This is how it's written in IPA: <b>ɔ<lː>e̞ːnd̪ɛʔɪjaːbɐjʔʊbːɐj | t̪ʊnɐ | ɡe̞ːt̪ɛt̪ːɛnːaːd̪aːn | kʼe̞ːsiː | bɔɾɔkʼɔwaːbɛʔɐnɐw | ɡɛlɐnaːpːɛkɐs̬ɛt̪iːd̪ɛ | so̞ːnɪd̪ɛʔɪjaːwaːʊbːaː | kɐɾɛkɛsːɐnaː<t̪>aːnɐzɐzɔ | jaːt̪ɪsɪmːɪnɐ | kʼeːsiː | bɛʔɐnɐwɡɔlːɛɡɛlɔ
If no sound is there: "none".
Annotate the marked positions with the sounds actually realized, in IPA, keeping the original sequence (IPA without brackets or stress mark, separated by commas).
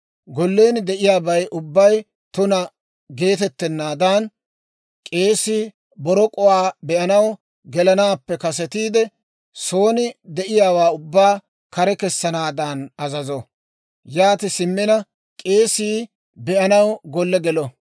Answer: ɡ, lː, d̪